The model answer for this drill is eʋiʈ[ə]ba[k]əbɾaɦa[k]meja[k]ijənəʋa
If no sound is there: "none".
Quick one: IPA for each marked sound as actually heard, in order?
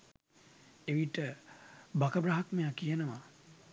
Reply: ə, k, k, k

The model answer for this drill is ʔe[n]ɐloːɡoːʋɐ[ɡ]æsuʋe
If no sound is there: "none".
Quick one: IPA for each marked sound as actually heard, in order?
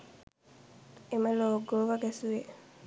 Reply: m, ɡ

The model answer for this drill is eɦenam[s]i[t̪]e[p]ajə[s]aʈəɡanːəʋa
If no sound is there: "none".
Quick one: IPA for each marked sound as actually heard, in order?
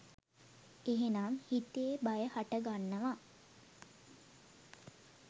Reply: h, t̪, b, h

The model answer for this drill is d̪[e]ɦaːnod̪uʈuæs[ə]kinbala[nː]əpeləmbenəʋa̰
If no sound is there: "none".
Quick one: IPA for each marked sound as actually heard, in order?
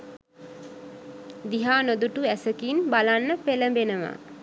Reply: i, ə, nː

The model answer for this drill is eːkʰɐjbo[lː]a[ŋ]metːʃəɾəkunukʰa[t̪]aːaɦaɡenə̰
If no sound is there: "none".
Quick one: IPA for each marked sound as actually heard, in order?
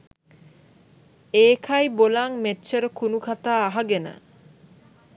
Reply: l, ŋ, t̪

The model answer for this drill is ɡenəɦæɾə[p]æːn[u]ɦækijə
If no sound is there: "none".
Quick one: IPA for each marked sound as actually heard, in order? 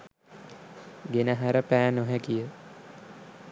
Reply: p, o

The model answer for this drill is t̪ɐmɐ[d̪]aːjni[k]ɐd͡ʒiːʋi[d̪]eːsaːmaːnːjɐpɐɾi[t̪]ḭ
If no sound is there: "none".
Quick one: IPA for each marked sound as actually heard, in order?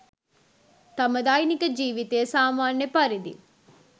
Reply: d̪, k, t̪, d̪

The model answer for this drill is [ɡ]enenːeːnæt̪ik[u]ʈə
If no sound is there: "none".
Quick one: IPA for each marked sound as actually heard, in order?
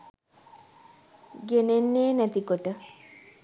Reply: ɡ, o

